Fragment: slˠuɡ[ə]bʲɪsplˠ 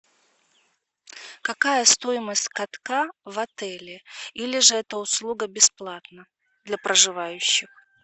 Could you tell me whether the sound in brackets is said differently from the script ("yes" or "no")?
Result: no